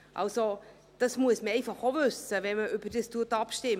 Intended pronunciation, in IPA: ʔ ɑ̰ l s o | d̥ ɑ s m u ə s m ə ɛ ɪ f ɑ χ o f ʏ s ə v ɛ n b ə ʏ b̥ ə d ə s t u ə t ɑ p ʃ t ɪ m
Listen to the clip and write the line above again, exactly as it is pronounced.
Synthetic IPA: ʔ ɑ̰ l s o | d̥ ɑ s m u ə s m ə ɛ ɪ f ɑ χ o v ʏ s ə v ɛ n m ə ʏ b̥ ə d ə s t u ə t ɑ p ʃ t ɪ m

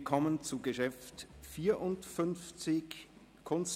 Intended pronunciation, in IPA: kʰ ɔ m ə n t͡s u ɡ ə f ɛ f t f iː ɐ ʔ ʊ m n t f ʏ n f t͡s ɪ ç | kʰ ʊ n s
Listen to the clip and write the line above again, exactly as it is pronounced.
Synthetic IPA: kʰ ɔ m ə n t͡s u ɡ ə ʃ ɛ f t f iː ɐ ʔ ʊ n t f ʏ n f t͡s ɪ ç | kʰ ʊ n s

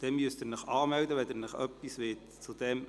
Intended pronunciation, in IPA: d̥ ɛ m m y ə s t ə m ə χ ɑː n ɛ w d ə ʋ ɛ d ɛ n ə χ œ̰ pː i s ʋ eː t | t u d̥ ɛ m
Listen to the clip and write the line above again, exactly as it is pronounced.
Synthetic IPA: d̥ ɛ m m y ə s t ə n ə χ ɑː m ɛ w d ə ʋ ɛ d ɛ n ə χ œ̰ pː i s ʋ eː t | t͡s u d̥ ɛ m

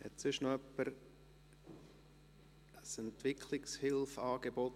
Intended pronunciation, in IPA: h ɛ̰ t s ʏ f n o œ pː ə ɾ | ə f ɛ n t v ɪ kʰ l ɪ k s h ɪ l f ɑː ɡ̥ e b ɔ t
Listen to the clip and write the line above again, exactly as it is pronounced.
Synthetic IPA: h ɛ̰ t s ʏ ʃ n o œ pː ə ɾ | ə s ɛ n t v ɪ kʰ l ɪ k s h ɪ l f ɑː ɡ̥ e b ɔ t

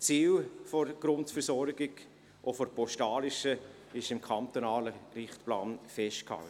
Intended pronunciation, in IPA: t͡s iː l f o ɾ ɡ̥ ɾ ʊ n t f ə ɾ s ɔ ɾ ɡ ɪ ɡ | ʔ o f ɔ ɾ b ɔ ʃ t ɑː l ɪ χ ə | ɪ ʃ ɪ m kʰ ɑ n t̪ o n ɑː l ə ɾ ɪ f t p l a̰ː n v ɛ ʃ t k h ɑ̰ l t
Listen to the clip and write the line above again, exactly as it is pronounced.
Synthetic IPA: t͡s iː l f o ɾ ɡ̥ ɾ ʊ n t f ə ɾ s ɔ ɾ ɡ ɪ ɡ | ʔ o f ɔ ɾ p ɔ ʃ t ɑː l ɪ ʃ ə | ɪ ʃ ɪ m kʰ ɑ n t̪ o n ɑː l ə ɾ ɪ χ t p l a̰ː n f ɛ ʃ t k h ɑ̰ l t

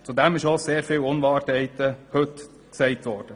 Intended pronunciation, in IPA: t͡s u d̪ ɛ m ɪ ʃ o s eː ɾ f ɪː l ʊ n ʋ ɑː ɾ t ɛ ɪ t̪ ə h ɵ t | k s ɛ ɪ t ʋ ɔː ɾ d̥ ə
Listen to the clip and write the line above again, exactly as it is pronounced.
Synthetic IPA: t͡s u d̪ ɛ m ɪ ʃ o s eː ɾ f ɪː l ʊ n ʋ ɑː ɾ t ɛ ɪ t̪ ə h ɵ t | k s ɛ ɪ t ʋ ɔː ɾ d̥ ə

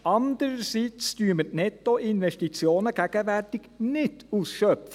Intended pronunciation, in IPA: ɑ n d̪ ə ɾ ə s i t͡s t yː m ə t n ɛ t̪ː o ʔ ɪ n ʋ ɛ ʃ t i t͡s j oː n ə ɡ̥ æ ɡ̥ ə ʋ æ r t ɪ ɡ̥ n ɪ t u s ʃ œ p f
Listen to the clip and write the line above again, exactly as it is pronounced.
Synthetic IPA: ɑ n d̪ ə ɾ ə s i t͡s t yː m ə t n ɛ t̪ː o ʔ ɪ n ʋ ɛ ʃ t i t͡s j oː n ə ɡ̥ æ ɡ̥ ə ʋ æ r t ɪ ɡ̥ n ɪ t u s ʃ œ p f

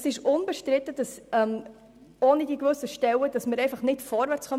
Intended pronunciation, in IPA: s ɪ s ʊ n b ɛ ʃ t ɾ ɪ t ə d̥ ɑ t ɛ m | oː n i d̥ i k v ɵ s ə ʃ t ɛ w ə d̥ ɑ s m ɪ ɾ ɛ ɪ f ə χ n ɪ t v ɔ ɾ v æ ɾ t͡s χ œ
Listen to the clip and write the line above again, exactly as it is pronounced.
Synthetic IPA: s ɪ ʃ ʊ n b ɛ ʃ t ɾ ɪ t ə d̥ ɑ s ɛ m | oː n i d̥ i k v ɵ s ə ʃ t ɛ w ə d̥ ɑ s m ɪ ɾ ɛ ɪ f ɑ χ n ɪ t f ɔ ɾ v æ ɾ t͡s χ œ

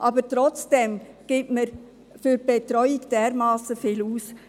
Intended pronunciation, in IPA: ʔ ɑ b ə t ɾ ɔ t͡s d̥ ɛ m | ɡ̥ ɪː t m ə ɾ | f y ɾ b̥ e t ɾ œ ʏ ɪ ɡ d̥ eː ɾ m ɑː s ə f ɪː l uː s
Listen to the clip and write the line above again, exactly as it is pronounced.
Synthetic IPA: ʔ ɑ b ə t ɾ ɔ t͡s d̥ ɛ m | ɡ̥ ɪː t m ə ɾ | f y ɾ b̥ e t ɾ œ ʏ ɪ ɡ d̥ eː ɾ m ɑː s ə f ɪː l uː s

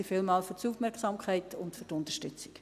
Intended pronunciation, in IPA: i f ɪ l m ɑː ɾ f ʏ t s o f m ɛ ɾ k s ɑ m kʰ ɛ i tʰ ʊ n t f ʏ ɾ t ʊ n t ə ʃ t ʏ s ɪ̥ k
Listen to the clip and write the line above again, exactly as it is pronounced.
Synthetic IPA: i f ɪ l m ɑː l f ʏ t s u f m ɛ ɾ k s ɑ m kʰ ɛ ɪ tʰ ʊ n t f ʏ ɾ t ʊ n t ə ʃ t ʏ t͡s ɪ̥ k

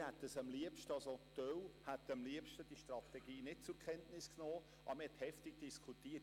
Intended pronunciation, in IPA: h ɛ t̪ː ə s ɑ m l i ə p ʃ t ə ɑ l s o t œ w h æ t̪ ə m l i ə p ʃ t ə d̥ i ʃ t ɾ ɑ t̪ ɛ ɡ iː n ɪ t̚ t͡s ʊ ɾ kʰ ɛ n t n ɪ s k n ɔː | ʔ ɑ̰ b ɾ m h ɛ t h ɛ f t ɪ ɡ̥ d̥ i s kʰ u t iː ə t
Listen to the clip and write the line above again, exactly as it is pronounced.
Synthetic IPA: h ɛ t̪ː ə s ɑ m l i ə p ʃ t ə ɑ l s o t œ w h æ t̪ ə m l i ə p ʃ t ə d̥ i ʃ t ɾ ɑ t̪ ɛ ɡ iː n ɪ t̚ t͡s ʊ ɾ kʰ ɛ n t n ɪ s k n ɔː | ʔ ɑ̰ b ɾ m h ɛ t h ɛ f t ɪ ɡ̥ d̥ i s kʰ u t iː ə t

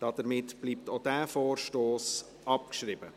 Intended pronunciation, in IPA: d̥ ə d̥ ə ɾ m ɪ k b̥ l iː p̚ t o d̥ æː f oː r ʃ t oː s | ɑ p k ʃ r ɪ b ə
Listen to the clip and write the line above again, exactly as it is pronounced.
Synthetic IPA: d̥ ɑ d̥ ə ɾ m ɪ t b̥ l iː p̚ t o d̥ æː f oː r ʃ t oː s | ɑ p k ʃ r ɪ b ə

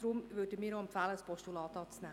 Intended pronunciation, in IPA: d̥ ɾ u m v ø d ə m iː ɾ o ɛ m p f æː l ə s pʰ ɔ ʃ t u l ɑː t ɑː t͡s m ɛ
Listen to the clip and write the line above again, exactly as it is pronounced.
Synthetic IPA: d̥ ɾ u m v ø d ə m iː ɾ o ɛ m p f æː l ə s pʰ ɔ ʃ t u l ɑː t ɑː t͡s n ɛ

